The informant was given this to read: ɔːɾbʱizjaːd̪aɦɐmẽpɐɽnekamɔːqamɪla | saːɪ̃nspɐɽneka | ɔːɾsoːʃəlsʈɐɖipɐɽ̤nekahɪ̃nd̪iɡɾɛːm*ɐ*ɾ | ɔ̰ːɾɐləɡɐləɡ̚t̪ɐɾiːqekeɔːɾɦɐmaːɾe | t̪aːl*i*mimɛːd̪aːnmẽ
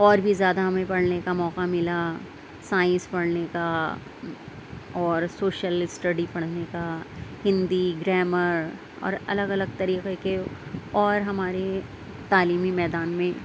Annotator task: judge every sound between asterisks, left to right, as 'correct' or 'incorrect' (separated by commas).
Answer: incorrect, incorrect